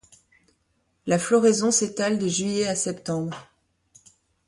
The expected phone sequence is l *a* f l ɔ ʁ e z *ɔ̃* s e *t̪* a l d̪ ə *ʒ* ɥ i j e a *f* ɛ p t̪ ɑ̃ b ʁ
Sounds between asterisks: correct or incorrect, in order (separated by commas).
correct, correct, correct, correct, incorrect